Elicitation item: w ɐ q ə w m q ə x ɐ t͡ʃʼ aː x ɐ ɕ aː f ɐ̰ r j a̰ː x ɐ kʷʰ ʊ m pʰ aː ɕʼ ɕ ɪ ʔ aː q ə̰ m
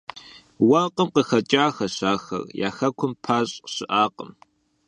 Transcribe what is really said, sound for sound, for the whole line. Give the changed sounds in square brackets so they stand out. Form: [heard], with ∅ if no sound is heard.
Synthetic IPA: w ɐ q ə [∅] m q ə x ɐ t͡ʃʼ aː x ɐ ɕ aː [x] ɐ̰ r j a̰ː x ɐ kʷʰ ʊ m pʰ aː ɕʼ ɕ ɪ ʔ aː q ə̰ m